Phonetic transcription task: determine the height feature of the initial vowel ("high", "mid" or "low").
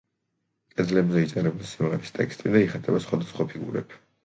mid